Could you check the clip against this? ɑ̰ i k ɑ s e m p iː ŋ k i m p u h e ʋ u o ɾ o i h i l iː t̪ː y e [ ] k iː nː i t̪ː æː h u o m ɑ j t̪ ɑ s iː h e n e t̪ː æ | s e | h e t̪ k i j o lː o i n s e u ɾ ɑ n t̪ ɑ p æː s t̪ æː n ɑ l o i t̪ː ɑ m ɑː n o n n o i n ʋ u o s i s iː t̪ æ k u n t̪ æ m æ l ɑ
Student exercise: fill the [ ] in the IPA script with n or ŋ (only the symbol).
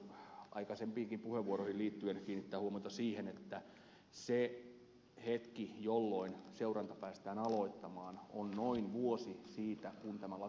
n